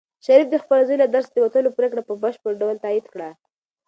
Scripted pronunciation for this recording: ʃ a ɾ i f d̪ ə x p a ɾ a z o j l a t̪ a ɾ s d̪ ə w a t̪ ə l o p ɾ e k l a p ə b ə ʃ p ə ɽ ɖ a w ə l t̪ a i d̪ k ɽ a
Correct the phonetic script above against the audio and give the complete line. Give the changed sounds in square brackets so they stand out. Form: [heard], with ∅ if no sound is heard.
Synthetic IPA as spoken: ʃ a ɾ i f d̪ ə x p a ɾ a z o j l a [d̪] a ɾ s d̪ ə w a t̪ ə l o p ɾ e k [ɽ] a p ə b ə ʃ p ə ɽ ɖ a w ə l t̪ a i d̪ k ɽ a